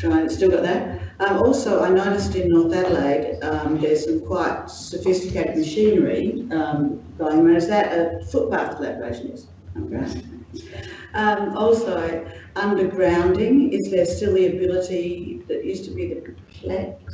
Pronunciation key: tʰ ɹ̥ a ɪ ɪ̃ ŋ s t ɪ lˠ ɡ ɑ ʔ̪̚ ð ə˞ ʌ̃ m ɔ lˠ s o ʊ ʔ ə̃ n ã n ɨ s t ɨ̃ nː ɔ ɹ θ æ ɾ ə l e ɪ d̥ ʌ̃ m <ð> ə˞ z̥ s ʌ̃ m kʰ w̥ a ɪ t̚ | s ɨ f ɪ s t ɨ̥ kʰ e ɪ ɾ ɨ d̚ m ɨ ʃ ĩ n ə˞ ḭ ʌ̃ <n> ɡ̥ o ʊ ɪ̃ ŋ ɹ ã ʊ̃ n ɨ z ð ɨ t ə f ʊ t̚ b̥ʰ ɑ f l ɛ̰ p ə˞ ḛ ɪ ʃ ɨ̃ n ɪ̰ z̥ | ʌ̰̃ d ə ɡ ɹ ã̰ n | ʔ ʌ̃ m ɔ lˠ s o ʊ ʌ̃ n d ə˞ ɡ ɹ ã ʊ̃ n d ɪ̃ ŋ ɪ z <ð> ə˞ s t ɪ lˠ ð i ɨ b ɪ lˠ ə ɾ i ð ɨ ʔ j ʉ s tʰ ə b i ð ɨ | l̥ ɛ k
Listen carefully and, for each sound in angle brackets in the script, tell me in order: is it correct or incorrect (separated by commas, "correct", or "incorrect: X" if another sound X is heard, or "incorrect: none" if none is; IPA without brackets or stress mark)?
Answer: correct, incorrect: m, correct